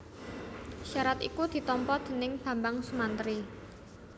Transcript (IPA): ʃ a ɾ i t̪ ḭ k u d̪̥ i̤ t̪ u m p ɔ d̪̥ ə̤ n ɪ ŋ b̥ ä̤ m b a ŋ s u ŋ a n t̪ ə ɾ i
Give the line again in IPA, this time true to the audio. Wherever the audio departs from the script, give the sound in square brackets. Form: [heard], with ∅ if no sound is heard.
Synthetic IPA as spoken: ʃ a ɾ [a] t̪ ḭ k u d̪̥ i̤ t̪ [ɔ] m p ɔ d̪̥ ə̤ n ɪ ŋ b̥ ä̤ m b a ŋ s u [m] a n t̪ ə ɾ i